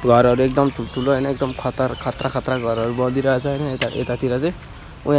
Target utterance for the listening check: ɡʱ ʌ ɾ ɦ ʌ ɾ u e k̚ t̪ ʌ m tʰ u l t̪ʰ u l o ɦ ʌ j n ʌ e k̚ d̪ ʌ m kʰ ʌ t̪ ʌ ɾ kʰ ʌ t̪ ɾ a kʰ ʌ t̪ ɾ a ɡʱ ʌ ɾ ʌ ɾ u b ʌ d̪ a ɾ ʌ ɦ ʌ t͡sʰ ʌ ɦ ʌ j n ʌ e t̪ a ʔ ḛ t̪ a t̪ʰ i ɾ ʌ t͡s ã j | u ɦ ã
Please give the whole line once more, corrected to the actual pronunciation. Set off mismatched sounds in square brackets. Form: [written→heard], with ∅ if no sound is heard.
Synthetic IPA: ɡʱ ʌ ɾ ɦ ʌ ɾ u e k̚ [t̪→d̪] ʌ m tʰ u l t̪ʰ u l o ɦ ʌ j n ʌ e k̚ d̪ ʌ m kʰ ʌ t̪ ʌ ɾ kʰ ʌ t̪ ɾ a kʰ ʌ t̪ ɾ a ɡʱ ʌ ɾ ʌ ɾ u b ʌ d̪ [a→i] ɾ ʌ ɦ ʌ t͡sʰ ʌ ɦ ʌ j n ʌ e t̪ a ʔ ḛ t̪ a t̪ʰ i ɾ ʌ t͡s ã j | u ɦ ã